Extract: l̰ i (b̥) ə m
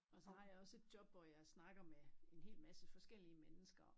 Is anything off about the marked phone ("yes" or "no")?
yes